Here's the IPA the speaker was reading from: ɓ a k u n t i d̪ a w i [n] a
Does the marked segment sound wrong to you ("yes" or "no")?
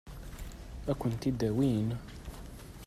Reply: no